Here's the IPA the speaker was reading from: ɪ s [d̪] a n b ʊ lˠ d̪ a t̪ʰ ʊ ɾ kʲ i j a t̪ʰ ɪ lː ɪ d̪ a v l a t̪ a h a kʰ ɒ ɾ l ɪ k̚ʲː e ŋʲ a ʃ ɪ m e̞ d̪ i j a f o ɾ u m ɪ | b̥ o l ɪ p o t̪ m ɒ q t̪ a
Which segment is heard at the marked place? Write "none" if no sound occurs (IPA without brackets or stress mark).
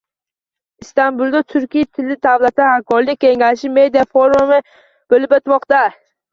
t̪